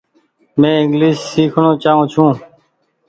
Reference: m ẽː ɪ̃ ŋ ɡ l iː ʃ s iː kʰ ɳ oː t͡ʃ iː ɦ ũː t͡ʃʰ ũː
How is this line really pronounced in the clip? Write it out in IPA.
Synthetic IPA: m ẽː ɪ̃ ŋ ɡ l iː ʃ s iː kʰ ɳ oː t͡ʃ aː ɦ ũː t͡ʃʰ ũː